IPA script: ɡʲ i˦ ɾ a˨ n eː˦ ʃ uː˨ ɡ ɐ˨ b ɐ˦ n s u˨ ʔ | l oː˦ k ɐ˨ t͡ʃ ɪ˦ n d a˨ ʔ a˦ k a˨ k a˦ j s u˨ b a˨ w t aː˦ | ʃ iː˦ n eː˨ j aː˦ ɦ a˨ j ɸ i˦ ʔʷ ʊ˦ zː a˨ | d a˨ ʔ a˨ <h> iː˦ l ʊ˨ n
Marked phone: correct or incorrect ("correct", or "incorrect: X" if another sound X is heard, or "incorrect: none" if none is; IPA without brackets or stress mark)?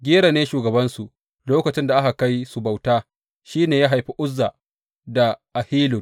correct